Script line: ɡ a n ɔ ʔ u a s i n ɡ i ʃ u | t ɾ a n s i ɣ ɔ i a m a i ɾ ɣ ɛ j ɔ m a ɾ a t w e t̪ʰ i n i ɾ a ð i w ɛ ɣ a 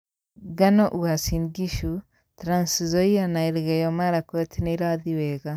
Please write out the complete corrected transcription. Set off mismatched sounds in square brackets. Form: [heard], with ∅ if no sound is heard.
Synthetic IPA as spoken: ɡ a n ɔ ʔ u a s i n ɡ i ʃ u | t ɾ a n s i [z] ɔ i a [n] a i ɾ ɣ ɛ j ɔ m a ɾ a [k] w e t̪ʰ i n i ɾ a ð i w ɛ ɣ a